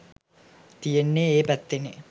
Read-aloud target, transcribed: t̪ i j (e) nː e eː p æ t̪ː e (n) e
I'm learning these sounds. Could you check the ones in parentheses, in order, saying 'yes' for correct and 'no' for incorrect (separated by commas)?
yes, yes